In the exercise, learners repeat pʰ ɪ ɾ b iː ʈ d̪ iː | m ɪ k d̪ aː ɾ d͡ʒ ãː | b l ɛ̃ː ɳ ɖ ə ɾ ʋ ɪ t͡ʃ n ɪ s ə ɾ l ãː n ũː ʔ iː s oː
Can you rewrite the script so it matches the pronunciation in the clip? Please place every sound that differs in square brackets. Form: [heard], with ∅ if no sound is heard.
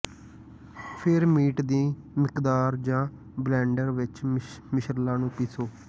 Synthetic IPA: pʰ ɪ ɾ [m] iː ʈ d̪ iː | m ɪ k d̪ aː ɾ d͡ʒ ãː | b l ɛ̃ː ɳ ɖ ə ɾ ʋ ɪ t͡ʃ [m] ɪ [ʃ] ə ɾ l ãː n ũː [p] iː s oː